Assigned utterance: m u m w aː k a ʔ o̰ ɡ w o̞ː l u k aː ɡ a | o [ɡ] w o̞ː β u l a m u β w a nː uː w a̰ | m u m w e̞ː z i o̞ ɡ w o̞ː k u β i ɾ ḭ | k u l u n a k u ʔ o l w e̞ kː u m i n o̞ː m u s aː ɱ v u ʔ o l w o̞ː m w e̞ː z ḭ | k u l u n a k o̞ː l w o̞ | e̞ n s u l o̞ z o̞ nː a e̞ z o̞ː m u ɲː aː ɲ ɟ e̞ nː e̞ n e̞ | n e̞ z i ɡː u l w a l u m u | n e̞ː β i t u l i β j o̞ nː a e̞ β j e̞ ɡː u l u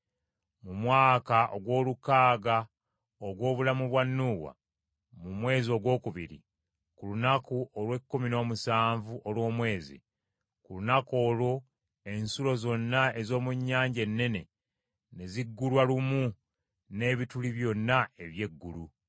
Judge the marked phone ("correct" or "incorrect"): correct